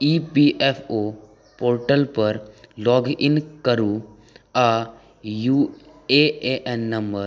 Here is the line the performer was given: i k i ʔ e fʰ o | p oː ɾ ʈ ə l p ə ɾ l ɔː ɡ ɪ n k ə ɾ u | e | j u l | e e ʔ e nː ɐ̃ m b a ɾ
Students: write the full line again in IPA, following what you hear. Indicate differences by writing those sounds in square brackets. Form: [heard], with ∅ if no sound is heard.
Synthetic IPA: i [p] i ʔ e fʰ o | p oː ɾ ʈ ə l p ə ɾ l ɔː ɡ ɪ n k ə ɾ u | [a] | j u [∅] | e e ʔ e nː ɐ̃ m b [ə] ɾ